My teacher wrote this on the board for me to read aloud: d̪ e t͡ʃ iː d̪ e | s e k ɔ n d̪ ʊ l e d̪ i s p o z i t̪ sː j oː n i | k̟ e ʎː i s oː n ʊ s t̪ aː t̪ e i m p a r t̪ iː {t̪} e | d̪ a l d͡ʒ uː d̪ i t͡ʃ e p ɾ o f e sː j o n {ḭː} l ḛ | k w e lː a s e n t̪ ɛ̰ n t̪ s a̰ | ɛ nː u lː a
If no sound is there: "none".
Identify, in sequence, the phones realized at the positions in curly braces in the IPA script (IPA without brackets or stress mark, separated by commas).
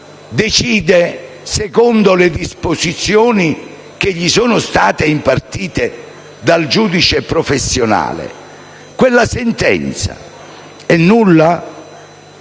t̪, a̰ː